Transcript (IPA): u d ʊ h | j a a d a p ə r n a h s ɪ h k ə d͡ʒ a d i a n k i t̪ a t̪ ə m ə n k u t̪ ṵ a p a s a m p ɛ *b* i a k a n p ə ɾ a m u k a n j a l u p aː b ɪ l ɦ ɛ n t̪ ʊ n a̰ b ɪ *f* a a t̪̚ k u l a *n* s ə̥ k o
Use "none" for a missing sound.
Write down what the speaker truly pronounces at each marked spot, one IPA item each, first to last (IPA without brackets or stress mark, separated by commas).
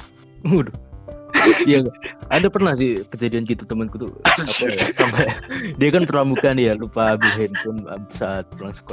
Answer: d, s, ŋ